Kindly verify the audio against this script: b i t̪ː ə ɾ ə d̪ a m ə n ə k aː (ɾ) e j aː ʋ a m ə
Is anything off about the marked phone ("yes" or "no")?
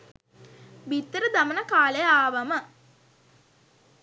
yes